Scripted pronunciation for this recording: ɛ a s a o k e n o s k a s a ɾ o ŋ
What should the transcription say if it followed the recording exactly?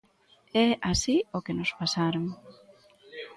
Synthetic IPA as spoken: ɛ a s i o k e n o s p a s a ɾ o ŋ